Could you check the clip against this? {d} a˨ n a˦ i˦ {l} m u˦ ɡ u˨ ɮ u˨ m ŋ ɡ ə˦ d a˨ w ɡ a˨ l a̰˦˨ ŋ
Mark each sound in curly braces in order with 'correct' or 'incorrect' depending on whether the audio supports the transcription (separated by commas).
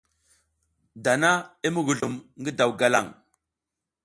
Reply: correct, incorrect